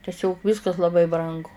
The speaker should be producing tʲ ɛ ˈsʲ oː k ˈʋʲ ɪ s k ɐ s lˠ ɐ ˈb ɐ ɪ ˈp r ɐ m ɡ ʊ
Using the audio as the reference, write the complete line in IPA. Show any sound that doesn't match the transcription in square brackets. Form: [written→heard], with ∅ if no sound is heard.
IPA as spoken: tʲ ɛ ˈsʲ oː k ˈʋʲ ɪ s k ɐ s lˠ ɐ ˈb ɐ ɪ [ˈp→ˈb] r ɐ [m→ŋ] ɡ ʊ

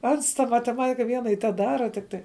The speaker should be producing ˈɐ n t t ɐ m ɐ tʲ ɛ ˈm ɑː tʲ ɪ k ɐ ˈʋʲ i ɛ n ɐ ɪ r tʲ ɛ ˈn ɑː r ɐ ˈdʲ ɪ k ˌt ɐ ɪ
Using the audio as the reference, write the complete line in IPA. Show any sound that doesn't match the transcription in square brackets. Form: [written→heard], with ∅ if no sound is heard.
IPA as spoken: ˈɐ n [t→s] t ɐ m ɐ tʲ ɛ ˈm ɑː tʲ ɪ k ɐ ˈʋʲ i ɛ n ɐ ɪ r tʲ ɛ [ˈn→ˈd] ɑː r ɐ [ˈdʲ→ˈtʲ] ɪ k ˌt ɐ ɪ

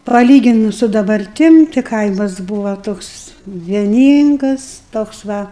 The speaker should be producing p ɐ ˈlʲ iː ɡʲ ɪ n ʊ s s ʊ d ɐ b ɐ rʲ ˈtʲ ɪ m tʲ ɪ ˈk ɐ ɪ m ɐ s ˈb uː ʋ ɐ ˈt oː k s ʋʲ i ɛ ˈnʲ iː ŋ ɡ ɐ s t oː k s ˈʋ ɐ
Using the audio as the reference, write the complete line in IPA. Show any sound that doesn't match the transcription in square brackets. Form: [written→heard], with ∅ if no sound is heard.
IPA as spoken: p ɐ ˈlʲ iː ɡʲ ɪ n ʊ s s ʊ d ɐ b ɐ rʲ ˈtʲ ɪ m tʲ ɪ ˈk ɐ ɪ m ɐ s ˈb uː ʋ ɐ ˈt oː k s ʋʲ i ɛ ˈnʲ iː ŋ ɡ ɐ s t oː k s ˈʋ ɐ

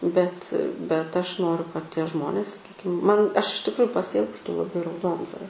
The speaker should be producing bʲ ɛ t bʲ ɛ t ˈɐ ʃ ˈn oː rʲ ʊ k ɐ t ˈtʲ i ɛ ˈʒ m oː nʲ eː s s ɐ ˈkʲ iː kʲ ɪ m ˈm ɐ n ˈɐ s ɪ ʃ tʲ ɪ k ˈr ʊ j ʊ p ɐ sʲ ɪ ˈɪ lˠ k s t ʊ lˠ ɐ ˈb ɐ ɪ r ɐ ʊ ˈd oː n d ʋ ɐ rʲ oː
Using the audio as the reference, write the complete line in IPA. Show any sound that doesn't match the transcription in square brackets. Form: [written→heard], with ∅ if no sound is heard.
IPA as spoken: bʲ ɛ t bʲ ɛ t ˈɐ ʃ ˈn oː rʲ ʊ k ɐ t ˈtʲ i ɛ ˈʒ m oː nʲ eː s s ɐ ˈkʲ iː kʲ ɪ m ˈm ɐ n ˈɐ [s→ʃ] ɪ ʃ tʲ ɪ k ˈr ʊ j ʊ p ɐ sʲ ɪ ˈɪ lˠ k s t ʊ lˠ ɐ ˈb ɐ ɪ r ɐ ʊ ˈd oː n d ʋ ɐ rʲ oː

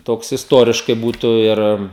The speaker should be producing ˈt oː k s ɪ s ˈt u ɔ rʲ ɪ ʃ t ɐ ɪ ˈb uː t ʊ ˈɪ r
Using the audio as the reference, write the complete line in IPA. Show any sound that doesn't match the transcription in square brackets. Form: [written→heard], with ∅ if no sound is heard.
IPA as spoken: ˈt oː k s ɪ s ˈt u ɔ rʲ ɪ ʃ [t→k] ɐ ɪ ˈb uː t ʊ ˈɪ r

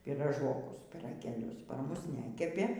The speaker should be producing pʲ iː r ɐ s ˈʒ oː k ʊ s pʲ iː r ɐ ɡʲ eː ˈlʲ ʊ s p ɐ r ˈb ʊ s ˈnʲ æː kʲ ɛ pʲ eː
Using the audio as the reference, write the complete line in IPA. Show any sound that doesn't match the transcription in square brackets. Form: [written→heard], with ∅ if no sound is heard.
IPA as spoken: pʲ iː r ɐ [s→∅] ˈʒ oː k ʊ s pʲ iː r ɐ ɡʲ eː ˈlʲ ʊ s p ɐ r [ˈb→ˈm] ʊ s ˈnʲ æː kʲ ɛ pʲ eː

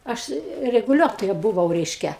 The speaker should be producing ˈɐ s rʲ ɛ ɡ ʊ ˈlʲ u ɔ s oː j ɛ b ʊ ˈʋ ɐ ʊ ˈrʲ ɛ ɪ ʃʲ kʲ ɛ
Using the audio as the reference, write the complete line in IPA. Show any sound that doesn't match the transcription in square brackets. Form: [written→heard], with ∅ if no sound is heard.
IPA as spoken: ˈɐ [s→ʃ] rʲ ɛ ɡ ʊ ˈlʲ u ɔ [s→t] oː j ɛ b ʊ ˈʋ ɐ ʊ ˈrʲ ɛ ɪ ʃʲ kʲ ɛ

